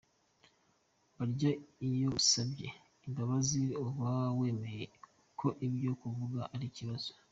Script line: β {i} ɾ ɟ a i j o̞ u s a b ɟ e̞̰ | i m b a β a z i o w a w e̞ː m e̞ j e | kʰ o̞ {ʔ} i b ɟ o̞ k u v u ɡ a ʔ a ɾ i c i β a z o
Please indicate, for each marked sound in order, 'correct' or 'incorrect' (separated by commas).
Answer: incorrect, correct